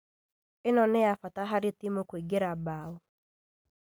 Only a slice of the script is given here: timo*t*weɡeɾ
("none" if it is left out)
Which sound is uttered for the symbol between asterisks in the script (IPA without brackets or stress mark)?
k